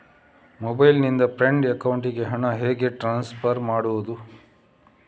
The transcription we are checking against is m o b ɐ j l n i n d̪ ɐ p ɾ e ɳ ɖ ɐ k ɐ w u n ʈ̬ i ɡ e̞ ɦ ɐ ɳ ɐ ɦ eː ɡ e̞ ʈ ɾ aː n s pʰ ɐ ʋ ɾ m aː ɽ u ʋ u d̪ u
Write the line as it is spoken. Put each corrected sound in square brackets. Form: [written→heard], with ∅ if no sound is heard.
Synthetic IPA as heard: m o b ɐ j l n i n d̪ ɐ p ɾ e ɳ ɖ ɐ k ɐ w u [n→ɳ] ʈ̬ i ɡ e̞ ɦ ɐ ɳ ɐ ɦ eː ɡ e̞ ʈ ɾ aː n s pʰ ɐ [ʋ→∅] ɾ m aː ɽ u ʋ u d̪ u